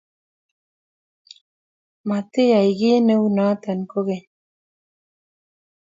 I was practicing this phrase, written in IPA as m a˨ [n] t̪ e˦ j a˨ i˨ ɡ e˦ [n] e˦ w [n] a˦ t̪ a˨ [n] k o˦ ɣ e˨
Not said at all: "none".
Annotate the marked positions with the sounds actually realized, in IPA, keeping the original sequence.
none, n, n, n

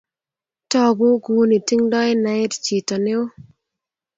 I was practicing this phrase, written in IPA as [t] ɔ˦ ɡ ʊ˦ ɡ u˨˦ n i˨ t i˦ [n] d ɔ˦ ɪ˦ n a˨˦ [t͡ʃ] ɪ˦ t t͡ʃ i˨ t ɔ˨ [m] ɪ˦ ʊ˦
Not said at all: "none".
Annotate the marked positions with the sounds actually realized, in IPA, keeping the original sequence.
t, ŋ, none, n

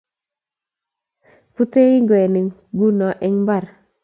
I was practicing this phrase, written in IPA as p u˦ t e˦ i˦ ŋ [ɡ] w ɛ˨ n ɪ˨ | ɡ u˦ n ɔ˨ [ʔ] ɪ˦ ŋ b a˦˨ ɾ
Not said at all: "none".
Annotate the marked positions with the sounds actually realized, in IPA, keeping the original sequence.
ɡ, ʔ

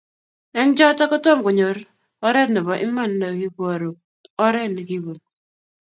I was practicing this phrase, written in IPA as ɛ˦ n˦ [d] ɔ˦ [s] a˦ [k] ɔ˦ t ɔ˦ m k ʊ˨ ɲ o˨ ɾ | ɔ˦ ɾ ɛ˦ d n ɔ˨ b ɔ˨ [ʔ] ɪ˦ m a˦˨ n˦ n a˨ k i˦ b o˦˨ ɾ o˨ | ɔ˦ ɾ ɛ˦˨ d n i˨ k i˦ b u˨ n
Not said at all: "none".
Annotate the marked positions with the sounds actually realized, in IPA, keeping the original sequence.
d͡ʒ, t, k, ʔ

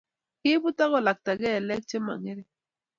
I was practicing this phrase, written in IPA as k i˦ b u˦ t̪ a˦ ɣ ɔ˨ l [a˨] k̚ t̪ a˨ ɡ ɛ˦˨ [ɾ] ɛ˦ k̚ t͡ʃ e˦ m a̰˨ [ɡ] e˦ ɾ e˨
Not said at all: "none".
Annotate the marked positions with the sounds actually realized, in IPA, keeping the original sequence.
a˨, l, ŋ

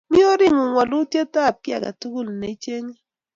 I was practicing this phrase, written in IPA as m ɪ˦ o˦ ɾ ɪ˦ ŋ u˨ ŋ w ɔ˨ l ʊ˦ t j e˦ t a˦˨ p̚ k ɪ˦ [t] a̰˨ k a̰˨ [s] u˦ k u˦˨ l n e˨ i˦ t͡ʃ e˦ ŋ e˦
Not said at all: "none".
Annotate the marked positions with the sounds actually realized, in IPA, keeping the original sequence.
none, t

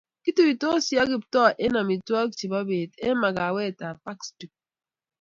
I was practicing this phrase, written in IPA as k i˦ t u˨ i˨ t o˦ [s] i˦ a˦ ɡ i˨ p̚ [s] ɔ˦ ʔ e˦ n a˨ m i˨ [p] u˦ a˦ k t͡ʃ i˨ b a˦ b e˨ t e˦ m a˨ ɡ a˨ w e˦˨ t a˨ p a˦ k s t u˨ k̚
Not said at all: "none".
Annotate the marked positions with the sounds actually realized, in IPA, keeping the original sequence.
s, t, t

